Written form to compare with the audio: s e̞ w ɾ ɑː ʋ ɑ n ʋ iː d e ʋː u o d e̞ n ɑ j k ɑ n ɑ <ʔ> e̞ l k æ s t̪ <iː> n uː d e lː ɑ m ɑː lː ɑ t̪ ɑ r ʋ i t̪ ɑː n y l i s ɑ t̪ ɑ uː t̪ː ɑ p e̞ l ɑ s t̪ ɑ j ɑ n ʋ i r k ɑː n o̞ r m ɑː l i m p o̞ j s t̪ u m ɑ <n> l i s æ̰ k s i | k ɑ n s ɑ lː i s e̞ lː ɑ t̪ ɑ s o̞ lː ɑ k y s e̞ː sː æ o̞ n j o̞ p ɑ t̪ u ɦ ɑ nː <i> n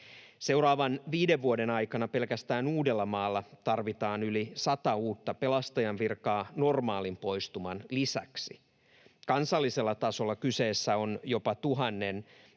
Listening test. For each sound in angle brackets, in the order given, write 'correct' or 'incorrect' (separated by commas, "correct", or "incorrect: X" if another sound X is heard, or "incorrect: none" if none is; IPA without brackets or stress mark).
incorrect: p, incorrect: æː, correct, incorrect: e